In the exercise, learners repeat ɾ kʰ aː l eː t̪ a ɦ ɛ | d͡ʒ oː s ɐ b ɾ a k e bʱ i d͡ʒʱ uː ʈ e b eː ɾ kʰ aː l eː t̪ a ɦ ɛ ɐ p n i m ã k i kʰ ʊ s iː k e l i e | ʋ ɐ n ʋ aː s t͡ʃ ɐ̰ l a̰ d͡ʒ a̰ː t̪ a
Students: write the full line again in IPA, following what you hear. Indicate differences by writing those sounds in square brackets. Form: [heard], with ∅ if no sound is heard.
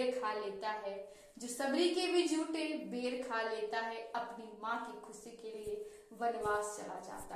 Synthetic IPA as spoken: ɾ kʰ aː l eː t̪ a ɦ ɛ | d͡ʒ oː s ɐ b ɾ [i] k e bʱ i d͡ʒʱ uː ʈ e b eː ɾ kʰ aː l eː t̪ a ɦ ɛ ɐ p n i m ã k i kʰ ʊ s [i] k e l i e | ʋ ɐ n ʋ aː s t͡ʃ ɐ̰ l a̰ d͡ʒ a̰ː t̪ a